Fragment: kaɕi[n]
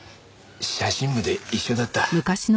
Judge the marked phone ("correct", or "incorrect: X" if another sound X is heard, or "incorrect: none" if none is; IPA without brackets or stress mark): correct